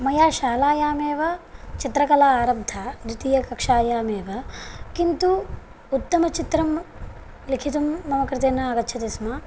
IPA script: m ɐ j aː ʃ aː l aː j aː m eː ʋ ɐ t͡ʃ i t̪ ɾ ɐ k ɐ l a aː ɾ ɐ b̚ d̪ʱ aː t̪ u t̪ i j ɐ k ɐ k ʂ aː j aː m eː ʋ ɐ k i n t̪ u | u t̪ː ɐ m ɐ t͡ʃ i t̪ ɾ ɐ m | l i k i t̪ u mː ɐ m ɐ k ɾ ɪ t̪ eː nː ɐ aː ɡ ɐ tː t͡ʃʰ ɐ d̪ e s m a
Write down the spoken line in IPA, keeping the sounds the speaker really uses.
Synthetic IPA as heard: m ɐ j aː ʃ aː l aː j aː m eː ʋ ɐ t͡ʃ i t̪ ɾ ɐ k ɐ l a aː ɾ ɐ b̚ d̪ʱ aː d̪ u t̪ i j ɐ k ɐ k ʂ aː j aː m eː ʋ ɐ k i n t̪ u | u t̪ː ɐ m ɐ t͡ʃ i t̪ ɾ ɐ m | l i kʰ i t̪ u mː ɐ m ɐ k ɾ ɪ t̪ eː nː ɐ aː ɡ ɐ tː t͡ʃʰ ɐ t̪ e s m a